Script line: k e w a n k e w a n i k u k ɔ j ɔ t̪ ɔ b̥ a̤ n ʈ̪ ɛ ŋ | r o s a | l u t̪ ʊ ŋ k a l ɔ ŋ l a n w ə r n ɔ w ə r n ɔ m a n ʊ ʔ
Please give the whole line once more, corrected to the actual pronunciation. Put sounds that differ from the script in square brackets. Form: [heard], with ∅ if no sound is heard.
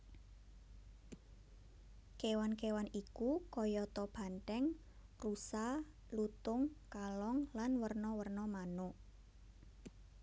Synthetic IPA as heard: k e w a n k e w a n i k u k ɔ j ɔ t̪ ɔ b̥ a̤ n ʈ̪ ɛ ŋ | r [u] s a | l u t̪ ʊ ŋ k a l ɔ ŋ l a n w ə r n ɔ w ə r n ɔ m a n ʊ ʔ

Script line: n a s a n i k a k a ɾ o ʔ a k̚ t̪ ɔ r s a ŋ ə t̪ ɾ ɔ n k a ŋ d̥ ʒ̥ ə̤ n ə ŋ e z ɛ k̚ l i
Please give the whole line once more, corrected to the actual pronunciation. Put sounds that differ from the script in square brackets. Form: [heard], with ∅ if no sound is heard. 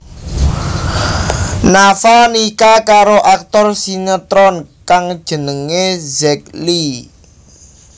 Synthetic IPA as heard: n a [f] a n i k a k a ɾ o ʔ a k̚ t̪ ɔ r s [i] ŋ ə t̪ ɾ ɔ n k a ŋ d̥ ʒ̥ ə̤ n ə ŋ e z ɛ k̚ l i

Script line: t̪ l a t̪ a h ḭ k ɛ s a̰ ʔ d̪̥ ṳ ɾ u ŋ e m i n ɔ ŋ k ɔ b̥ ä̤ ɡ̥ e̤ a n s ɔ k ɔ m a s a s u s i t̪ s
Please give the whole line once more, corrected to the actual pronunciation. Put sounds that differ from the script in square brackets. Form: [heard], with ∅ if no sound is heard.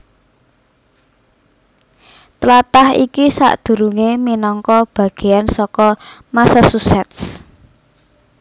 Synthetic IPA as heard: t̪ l a t̪ a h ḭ k [i] s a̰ ʔ d̪̥ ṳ ɾ u ŋ e m i n ɔ ŋ k ɔ b̥ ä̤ ɡ̥ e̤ a n s ɔ k ɔ m a s a s u s [ɛ] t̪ s

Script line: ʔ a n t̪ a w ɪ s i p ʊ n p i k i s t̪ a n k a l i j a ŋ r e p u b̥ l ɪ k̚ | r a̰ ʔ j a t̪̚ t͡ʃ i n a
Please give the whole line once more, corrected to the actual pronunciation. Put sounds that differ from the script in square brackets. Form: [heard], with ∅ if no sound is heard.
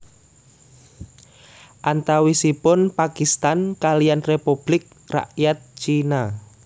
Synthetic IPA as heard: ʔ a n t̪ a w [i] s i p ʊ n p [a] k i s t̪ a n k a l i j a [n] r e p u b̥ l ɪ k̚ | r a̰ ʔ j a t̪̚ t͡ʃ i n a

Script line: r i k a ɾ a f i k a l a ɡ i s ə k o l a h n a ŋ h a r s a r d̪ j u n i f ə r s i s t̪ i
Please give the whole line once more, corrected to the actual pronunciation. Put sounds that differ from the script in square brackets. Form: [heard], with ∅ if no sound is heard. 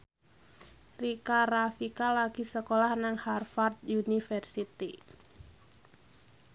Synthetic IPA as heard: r i k a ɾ a f i k a l a ɡ i s ə k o l a h n a ŋ h a r [f] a r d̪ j u n i f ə r s i [∅] t̪ i

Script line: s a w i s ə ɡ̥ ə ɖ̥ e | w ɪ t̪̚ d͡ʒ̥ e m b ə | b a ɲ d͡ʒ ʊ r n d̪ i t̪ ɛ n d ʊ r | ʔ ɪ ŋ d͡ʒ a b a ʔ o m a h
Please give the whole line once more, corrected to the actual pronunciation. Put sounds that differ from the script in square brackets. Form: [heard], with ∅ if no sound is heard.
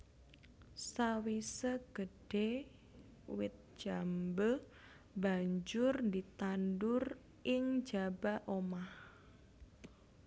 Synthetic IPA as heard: s a w i s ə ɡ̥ ə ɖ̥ e | w ɪ t̪̚ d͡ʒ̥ [a] m b ə | b a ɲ d͡ʒ ʊ r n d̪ i t̪ [a] n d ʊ r | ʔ ɪ ŋ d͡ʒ a b a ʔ o m a h

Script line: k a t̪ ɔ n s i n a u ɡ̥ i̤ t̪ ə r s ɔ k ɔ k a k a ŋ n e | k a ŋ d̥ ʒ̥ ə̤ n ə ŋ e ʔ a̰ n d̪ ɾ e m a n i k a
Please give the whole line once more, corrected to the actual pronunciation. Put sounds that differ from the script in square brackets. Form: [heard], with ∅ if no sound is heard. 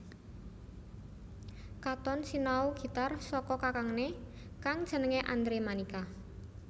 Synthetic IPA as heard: k a t̪ ɔ n s i n a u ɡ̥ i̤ t̪ [a] r s ɔ k ɔ k a k a ŋ n e | k a ŋ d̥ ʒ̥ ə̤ n ə ŋ e ʔ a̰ n d̪ ɾ e m a n i k a

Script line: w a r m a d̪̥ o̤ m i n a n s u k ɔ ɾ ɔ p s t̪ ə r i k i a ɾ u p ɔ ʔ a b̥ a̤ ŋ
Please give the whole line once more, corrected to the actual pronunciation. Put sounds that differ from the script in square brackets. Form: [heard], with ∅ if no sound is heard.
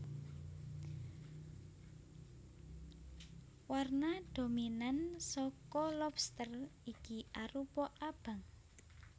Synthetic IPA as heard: w a r [n] a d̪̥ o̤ m i n a n s [ɔ] k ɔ [l] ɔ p s t̪ ə r i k i a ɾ u p ɔ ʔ a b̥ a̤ ŋ

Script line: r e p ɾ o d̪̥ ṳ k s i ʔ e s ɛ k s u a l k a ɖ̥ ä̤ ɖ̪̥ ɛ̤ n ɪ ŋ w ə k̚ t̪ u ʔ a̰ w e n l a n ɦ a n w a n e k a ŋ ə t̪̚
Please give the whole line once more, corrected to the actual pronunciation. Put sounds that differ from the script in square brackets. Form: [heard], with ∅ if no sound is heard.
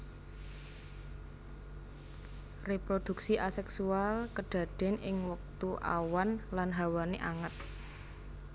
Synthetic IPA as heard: r e p ɾ o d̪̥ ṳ k s i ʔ [a] s ɛ k s u a l k [ə] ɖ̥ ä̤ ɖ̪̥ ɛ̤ n ɪ ŋ w ə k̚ t̪ u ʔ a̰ w [a] n l a n ɦ a [∅] w a n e [ʔ] a ŋ ə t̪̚

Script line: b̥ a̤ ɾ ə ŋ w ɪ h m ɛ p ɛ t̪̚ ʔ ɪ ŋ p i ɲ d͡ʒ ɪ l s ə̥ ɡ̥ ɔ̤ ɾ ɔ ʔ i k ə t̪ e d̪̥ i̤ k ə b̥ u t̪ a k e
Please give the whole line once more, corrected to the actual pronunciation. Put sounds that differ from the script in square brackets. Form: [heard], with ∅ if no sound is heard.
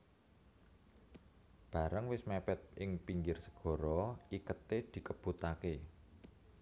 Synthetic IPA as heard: b̥ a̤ ɾ ə ŋ w ɪ [s] m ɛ p ɛ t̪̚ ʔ ɪ ŋ p i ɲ d͡ʒ ɪ [r] s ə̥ ɡ̥ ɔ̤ ɾ ɔ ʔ i k ə t̪ e d̪̥ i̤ k ə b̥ u t̪ a k e

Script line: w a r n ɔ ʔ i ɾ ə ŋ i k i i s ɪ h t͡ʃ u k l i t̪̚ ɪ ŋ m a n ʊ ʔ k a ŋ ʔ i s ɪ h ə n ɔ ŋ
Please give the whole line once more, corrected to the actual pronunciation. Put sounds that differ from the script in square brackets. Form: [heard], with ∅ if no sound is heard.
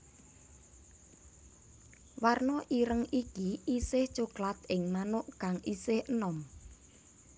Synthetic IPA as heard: w a r n ɔ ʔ i ɾ ə ŋ i k i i s ɪ h t͡ʃ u k l [a] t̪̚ ɪ ŋ m a n ʊ ʔ k a ŋ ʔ i s ɪ h ə n ɔ [m]

